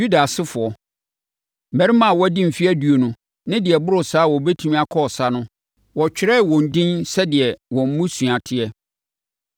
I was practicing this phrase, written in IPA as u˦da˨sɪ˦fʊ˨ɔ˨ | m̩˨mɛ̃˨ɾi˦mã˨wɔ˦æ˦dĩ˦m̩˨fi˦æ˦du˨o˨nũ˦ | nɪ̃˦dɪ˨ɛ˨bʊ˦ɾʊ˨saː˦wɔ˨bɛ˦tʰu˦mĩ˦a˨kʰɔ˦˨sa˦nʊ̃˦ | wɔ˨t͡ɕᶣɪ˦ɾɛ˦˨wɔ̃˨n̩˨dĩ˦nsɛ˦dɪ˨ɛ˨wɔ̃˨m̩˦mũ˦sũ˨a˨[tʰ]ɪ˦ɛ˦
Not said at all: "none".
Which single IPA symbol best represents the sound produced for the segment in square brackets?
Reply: tʰ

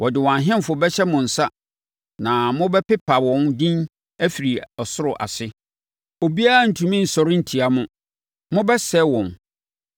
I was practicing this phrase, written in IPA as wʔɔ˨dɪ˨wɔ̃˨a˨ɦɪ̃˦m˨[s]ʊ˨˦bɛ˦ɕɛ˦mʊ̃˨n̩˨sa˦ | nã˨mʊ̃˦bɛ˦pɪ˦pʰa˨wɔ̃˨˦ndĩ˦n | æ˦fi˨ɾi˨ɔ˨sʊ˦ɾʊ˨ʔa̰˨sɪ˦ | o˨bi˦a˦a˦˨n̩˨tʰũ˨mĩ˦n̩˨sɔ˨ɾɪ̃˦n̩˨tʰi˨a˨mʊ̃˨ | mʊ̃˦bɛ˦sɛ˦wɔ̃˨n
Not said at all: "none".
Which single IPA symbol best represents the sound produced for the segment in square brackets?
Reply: f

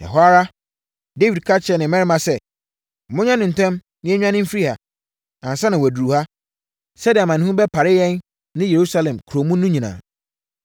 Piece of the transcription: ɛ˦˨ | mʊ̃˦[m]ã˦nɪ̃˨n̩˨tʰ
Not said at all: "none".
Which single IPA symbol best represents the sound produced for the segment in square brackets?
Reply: ɲ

